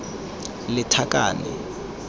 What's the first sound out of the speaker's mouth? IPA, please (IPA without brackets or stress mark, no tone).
l